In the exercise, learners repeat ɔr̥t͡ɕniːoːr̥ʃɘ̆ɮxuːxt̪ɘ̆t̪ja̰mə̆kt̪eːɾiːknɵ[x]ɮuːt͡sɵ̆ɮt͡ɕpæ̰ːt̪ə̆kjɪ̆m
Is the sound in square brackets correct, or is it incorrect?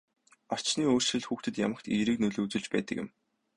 incorrect